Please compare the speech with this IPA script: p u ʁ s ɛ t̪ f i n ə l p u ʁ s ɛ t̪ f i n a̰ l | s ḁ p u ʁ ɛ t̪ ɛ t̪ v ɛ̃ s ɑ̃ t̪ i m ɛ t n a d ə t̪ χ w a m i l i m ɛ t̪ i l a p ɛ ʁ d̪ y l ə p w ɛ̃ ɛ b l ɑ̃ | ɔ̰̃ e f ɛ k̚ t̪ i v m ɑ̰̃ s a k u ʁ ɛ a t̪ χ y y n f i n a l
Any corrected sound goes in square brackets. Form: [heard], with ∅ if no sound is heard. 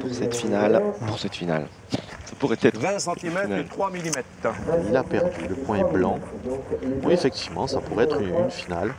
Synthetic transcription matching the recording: p u ʁ s ɛ t̪ f i n [a] l p u ʁ s ɛ t̪ f i n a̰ l | s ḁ p u ʁ ɛ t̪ ɛ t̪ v ɛ̃ s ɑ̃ t̪ i m ɛ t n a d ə t̪ χ w a m i l i m ɛ t̪ i l a p ɛ ʁ d̪ y l ə p w ɛ̃ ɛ b l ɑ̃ | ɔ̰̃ e f ɛ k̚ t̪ i v m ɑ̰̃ s a [p] u ʁ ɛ [ɛ] t̪ χ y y n f i n a l

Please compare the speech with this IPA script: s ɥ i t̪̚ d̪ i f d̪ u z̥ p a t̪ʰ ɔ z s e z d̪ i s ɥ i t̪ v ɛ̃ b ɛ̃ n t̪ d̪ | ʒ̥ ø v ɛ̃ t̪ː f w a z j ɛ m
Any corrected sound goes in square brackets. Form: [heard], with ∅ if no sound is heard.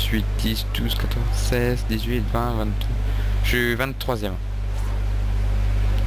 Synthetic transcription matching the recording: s ɥ i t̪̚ d̪ i [s] d̪ u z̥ [k] a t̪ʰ ɔ z s [ɛ] z d̪ i [z] ɥ i t̪ v ɛ̃ [v] ɛ̃ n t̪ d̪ | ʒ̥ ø v ɛ̃ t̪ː [χ] w a z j ɛ m

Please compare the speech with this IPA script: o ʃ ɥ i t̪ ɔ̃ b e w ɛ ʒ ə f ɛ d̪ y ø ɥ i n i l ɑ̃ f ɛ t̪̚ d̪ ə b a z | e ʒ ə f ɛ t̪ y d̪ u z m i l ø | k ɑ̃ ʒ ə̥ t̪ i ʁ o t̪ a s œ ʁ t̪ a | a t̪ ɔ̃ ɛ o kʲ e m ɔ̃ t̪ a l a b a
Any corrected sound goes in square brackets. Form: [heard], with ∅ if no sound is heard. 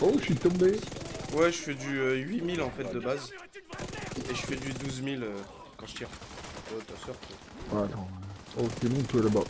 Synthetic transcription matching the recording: o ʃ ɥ i t̪ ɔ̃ b e w ɛ ʒ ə f ɛ d̪ y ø ɥ i [m] i l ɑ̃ f ɛ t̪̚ d̪ ə b a z | e ʒ ə f ɛ [d̪] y d̪ u z m i l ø | k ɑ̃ ʒ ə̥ t̪ i ʁ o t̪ a s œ ʁ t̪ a | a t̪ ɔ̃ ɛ o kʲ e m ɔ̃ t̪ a l a b a

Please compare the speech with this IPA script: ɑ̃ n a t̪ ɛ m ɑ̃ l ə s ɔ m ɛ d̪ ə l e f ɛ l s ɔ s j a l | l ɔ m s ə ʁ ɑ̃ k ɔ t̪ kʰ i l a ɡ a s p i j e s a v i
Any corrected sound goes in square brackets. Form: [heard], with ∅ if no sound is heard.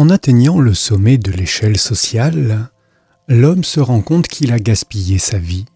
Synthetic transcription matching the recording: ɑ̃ n a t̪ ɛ [ɲ] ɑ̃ l ə s ɔ m ɛ d̪ ə l e [ʃ] ɛ l s ɔ s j a l | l ɔ m s ə ʁ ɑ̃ k [ɔ̃] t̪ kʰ i l a ɡ a s p i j e s a v i

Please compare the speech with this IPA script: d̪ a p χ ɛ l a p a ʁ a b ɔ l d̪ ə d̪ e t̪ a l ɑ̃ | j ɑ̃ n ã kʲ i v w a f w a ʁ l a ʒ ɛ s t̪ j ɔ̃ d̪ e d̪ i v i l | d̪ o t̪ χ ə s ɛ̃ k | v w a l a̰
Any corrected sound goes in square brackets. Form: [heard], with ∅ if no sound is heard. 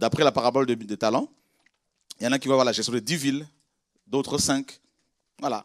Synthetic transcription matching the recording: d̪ a p χ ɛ l a p a ʁ a b ɔ l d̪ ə d̪ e t̪ a l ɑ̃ | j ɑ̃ n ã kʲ i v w a [v] w a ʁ l a ʒ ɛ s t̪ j ɔ̃ d̪ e d̪ i v i l | d̪ o t̪ χ ə s ɛ̃ k | v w a l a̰

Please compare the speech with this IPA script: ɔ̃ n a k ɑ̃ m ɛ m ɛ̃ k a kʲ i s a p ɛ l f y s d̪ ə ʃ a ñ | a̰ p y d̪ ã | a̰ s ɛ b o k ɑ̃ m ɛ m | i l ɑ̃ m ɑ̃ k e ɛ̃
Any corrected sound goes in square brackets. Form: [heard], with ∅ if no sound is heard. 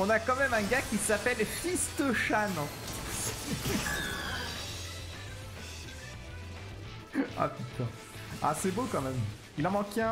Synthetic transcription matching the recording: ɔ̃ n a k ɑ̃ m ɛ m ɛ̃ [ɡ] a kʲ i s a p ɛ l f [i] s [t̪] ə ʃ a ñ | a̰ p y [t̪] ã | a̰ s ɛ b o k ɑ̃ m ɛ m | i l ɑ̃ m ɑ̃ k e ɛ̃

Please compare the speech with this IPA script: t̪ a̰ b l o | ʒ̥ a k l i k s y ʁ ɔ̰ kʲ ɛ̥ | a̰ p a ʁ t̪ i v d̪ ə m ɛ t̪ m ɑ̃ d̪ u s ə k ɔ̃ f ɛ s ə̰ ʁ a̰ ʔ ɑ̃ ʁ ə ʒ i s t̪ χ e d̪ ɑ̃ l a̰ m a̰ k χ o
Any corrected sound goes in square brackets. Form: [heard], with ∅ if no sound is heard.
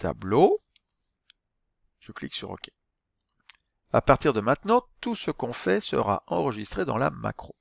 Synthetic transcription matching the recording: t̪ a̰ b l o | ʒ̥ [ə] k l i k s y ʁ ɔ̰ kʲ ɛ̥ | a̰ p a ʁ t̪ i [ʁ] d̪ ə m [ɛ̃] t̪ [n] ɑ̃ [t̪] u s ə k ɔ̃ f ɛ s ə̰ ʁ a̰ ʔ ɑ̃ ʁ ə ʒ i s t̪ χ e d̪ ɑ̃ l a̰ m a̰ k χ o

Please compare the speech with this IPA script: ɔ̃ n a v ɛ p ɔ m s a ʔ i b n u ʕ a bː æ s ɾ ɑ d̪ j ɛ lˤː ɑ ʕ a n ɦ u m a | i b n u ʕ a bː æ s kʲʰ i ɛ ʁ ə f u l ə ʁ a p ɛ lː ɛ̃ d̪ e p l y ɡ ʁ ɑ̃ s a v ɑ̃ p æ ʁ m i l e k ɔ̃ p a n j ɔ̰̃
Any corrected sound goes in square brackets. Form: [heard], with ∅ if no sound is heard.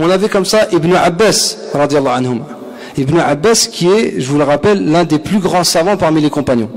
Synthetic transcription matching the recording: ɔ̃ n a v ɛ [k] ɔ m s a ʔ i b n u ʕ a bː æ s ɾ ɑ d̪ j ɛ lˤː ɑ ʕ a n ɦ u m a | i b n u ʕ a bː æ s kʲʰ i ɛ [ʒ] ə [v] u l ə ʁ a p ɛ lː ɛ̃ d̪ e p l y ɡ ʁ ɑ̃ s a v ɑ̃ p [a] ʁ m i l e k ɔ̃ p a n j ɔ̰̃

